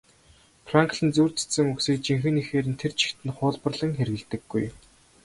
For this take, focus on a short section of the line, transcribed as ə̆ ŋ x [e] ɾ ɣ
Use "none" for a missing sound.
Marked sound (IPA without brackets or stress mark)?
e